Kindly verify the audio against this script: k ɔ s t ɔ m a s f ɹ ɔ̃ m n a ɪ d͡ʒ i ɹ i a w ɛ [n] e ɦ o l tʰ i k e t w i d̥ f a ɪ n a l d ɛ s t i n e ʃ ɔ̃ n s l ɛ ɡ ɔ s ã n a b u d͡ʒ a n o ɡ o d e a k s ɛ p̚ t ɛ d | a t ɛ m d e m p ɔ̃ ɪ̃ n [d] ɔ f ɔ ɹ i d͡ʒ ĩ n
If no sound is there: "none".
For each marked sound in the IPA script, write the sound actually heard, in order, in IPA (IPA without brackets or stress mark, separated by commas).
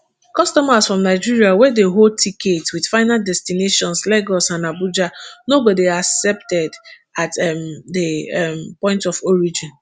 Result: d, t